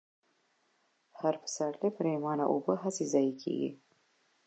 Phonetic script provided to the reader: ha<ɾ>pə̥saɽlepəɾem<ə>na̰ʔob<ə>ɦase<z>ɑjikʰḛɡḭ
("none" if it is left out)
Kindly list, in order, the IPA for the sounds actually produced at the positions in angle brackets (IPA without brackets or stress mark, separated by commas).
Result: ɾ, ɑ, ə, z